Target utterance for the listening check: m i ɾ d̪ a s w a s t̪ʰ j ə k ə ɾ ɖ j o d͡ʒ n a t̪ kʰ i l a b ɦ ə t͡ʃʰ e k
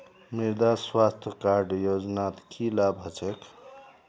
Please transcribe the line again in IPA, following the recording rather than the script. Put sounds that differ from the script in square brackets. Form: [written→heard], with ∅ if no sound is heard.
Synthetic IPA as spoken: m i ɾ d̪ a s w a s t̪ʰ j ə k [ə→a] ɾ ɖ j o d͡ʒ n a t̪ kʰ i l a b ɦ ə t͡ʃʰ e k